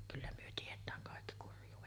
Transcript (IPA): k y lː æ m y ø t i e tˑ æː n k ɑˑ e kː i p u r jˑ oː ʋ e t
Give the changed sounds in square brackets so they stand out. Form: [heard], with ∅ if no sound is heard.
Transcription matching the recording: k y lː æ m y ø t i e tˑ æː [ŋ] k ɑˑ e kː i [k] u r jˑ [uː] ʋ e t

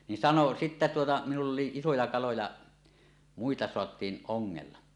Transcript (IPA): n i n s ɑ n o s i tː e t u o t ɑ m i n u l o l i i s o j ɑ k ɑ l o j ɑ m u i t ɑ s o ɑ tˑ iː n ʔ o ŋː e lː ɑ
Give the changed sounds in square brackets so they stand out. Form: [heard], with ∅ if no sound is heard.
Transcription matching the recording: n i n s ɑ n o s i tː [æ] t u o t ɑ m i n u [lː] o l i i s o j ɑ k ɑ l o j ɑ m u i t ɑ s o ɑ tˑ iː n ʔ o ŋː e lː ɑ

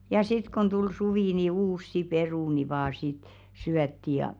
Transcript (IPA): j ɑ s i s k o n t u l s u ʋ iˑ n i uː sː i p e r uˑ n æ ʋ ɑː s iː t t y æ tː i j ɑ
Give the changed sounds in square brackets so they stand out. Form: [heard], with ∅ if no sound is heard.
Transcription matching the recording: j ɑ s i [t] k o n t u l s u ʋ iˑ n i uː sː i p e r uˑ n [i] ʋ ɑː s [i] t [s] y æ tː i j ɑ

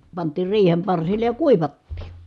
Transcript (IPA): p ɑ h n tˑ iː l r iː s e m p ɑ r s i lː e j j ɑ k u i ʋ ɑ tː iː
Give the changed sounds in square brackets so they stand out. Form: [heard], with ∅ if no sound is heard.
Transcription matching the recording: p ɑ [∅] n tˑ iː [r] r iː [h] e m p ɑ r s i lː e j j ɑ k u i ʋ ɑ tː iː

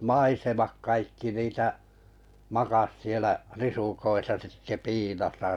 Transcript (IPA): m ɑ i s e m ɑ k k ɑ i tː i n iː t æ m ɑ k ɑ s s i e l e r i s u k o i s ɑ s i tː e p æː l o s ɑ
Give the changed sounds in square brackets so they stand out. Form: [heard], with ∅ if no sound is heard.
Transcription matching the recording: m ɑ i s e m ɑ k k ɑ i [kː] i n iː t æ m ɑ k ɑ s s i e l [æ] r i s u k o i s ɑ s i tː e p [iː] l o s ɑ

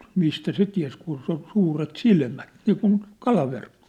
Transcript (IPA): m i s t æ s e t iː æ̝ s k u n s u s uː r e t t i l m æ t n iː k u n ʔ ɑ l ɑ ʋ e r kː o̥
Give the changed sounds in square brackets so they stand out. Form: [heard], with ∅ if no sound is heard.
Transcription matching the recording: m i s t æ s e t [i] æ̝ s k u n s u s uː r e t [s] i l m æ t n iː k u n [k] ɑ l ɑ ʋ e r kː o̥

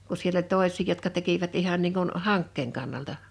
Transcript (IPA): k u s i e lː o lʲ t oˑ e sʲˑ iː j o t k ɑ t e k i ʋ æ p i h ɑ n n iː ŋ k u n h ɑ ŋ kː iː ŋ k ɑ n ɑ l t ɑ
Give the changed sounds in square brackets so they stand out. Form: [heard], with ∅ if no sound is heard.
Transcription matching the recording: k u s i e lː o lʲ t oˑ e sʲˑ iː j o t k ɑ t e k i ʋ æ [t] i h ɑ n n iː ŋ k u n h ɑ ŋ kː [eː] ŋ k ɑ [nː] ɑ l t ɑ

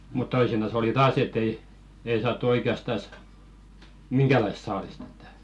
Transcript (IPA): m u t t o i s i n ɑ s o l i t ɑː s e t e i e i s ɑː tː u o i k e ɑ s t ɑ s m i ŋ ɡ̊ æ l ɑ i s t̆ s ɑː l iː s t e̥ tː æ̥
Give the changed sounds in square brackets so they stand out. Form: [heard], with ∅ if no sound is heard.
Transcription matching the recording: m u t t o i s i n ɑ s o l i t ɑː s e t e i e i s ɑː tː u o i k e ɑ s t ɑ s m i ŋ ɡ̊ æ l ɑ i s t̆ s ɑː l [i] s t e̥ tː æ̥

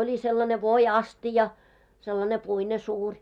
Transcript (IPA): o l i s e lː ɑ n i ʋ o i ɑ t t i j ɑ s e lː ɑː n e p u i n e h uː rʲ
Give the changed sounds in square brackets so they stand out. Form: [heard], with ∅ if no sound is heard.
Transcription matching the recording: o l i s e lː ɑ n [e] ʋ o i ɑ [s] t i j ɑ s e lː [ɑ] n e p u i n e [s] uː rʲ

